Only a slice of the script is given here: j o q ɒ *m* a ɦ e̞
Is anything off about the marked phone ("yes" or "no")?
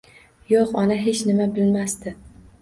yes